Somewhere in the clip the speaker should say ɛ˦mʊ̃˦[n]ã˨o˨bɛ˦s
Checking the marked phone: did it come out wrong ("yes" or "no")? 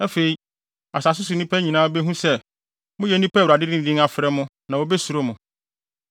no